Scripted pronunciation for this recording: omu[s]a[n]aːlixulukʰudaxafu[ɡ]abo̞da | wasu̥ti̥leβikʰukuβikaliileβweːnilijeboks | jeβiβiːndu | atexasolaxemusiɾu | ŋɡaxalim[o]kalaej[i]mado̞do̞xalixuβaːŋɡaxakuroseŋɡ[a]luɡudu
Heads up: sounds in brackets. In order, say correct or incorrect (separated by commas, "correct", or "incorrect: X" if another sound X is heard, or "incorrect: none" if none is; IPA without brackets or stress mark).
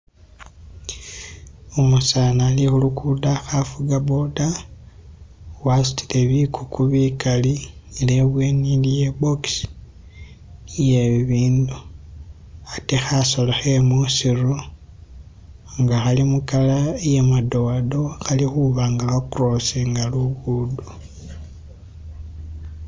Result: correct, correct, correct, incorrect: u, incorrect: e, correct